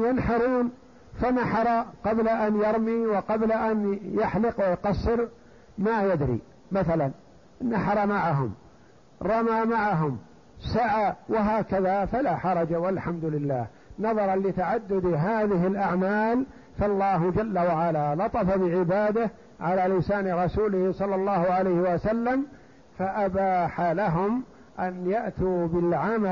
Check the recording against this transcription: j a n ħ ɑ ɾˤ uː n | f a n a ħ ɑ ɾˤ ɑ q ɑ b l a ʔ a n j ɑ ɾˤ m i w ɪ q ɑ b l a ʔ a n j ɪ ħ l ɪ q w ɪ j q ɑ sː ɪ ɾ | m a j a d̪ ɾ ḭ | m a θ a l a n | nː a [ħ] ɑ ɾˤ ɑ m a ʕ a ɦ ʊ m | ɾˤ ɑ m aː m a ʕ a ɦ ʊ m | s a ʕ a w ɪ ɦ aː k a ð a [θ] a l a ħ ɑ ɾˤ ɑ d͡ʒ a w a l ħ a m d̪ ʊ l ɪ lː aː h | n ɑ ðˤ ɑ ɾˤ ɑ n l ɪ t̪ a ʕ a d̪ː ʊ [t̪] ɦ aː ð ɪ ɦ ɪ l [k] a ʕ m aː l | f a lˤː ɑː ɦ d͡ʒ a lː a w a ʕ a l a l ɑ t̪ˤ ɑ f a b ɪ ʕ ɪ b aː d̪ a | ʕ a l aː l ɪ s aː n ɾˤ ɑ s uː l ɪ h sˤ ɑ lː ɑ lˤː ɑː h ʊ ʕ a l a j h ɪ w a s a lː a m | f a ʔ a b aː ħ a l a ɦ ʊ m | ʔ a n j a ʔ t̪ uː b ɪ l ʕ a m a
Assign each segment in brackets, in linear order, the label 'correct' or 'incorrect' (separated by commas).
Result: correct, incorrect, incorrect, incorrect